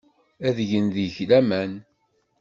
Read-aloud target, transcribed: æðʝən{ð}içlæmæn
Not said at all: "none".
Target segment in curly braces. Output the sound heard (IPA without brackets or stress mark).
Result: ð